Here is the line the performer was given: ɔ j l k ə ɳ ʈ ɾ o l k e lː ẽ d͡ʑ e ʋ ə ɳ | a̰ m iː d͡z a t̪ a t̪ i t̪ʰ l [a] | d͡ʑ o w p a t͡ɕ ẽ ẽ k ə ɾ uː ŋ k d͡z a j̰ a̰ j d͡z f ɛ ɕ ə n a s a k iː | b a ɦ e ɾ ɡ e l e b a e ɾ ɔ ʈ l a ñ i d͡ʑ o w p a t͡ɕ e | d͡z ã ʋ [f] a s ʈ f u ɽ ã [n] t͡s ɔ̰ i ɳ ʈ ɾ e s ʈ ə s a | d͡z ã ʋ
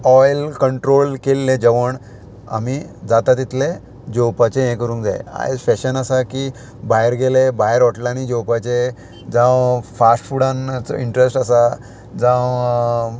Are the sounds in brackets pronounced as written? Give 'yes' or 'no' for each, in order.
no, yes, yes

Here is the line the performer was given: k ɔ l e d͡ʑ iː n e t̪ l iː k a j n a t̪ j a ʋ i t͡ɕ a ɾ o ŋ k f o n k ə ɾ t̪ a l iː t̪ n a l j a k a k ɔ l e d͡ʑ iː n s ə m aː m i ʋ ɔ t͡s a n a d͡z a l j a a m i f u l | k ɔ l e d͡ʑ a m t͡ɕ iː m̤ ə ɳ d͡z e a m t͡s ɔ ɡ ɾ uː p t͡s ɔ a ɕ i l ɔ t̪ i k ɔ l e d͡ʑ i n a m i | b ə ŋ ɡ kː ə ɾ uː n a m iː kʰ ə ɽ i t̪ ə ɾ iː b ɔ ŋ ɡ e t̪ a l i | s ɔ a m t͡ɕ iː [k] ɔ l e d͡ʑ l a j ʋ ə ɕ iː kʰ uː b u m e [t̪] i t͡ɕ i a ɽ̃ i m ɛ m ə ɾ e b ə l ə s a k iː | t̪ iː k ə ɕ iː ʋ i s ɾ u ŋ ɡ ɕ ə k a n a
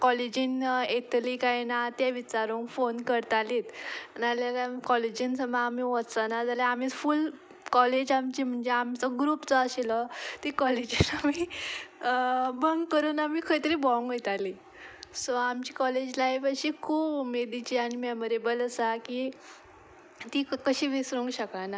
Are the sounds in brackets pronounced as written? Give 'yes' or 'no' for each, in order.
yes, no

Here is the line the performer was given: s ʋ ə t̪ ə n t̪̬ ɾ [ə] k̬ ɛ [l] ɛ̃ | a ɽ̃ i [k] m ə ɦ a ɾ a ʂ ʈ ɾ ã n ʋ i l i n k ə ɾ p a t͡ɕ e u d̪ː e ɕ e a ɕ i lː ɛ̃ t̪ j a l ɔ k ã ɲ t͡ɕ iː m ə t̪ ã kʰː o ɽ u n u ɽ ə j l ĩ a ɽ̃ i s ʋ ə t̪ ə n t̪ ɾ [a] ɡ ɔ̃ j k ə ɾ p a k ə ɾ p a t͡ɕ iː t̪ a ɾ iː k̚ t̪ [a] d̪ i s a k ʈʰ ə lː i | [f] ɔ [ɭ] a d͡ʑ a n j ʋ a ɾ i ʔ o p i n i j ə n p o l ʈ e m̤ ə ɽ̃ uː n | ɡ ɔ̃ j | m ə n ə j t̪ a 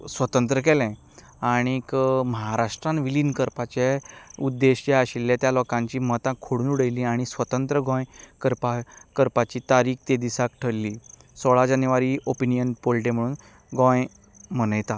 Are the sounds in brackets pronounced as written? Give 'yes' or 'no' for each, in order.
yes, yes, yes, no, no, no, yes

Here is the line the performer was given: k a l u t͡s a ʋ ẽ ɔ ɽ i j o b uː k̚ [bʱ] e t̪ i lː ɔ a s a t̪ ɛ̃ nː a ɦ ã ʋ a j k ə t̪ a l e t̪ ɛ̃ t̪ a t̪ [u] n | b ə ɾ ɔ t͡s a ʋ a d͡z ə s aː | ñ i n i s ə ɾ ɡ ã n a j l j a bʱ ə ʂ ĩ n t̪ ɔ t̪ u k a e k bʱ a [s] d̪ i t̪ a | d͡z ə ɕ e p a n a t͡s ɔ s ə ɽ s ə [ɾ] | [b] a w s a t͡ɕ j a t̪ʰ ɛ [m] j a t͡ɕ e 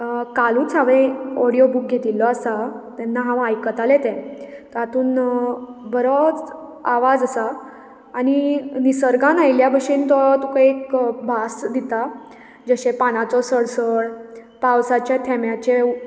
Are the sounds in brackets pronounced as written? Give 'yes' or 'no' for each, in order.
no, no, yes, no, no, yes

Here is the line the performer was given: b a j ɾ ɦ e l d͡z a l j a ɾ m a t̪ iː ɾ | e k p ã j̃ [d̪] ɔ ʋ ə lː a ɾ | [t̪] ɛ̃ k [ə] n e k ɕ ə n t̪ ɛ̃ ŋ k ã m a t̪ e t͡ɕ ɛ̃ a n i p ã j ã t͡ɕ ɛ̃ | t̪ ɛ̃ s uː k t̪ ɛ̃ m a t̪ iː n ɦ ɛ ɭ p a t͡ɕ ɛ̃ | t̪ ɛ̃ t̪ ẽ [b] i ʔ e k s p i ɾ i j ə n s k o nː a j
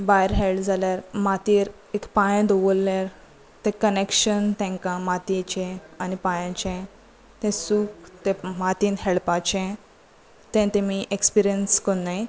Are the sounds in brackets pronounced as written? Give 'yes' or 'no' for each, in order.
yes, yes, yes, no

